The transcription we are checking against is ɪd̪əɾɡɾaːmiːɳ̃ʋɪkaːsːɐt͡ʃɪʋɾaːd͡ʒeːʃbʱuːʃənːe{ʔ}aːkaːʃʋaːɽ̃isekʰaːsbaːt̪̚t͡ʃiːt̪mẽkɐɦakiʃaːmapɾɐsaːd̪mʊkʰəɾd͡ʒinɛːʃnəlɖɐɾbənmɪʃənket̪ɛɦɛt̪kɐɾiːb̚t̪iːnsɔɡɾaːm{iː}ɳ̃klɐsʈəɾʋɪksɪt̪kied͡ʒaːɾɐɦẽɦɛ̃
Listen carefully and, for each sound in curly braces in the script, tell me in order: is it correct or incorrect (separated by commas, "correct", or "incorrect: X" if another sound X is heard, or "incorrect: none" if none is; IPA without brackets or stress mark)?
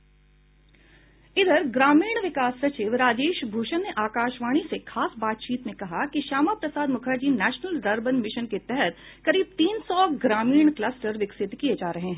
correct, correct